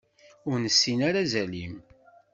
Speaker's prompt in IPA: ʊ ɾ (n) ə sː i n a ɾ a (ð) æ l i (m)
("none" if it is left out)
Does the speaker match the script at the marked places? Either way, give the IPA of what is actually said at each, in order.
n, z, m

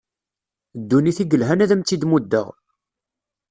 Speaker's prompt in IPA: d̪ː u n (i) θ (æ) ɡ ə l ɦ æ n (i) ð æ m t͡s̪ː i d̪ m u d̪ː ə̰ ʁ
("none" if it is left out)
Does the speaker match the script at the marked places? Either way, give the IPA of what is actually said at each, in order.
i, i, æ

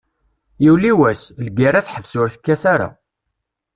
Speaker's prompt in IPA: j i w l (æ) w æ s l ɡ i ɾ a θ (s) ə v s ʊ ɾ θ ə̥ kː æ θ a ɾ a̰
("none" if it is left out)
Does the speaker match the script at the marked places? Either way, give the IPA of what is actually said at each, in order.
i, ħ

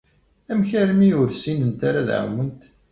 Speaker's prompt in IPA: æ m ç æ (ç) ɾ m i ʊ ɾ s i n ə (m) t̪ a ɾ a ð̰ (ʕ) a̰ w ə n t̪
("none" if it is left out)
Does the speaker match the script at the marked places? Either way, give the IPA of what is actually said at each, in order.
none, n, ʕ

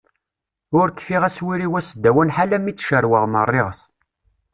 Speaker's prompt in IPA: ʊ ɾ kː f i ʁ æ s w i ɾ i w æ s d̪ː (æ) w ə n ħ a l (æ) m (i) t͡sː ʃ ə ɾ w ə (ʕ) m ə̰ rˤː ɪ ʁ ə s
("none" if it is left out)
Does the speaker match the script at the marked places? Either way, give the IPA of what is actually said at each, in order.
æ, æ, i, ʁ

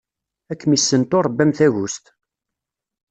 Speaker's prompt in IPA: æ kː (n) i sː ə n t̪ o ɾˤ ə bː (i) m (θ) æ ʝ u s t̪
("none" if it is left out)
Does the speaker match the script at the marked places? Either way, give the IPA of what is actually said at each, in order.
m, æ, θ

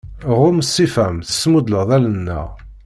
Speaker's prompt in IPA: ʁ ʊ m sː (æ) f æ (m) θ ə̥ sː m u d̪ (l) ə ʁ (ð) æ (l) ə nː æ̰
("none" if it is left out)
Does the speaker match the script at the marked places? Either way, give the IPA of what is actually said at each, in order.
i, m, l, ð, l

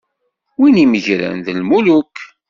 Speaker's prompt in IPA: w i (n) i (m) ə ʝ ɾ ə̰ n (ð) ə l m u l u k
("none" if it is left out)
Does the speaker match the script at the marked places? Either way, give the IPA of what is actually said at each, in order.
n, m, ð

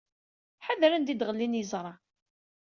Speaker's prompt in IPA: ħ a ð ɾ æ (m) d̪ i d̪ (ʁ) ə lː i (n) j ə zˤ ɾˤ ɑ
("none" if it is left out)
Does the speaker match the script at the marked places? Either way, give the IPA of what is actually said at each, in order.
n, ʁ, n

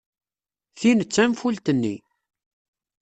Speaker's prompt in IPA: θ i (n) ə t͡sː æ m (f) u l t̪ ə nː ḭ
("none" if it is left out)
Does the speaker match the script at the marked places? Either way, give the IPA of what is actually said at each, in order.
n, f

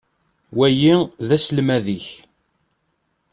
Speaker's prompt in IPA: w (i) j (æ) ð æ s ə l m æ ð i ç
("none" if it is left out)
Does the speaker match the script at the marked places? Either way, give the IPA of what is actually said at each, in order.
æ, i

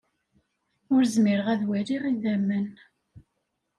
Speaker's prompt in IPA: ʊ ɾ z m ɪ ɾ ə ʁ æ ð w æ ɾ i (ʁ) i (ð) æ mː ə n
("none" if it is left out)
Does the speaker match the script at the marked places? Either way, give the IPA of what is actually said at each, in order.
ʁ, ð

